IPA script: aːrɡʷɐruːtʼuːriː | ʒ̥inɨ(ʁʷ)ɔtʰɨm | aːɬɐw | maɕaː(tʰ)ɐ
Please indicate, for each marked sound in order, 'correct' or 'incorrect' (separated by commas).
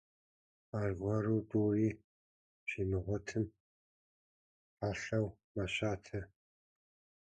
correct, correct